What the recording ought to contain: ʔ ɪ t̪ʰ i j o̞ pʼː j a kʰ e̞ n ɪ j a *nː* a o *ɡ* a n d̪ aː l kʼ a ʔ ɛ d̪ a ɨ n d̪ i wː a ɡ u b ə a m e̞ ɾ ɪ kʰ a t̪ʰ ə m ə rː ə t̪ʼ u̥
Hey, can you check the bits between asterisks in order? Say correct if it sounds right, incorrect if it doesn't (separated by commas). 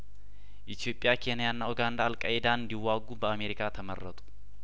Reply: correct, correct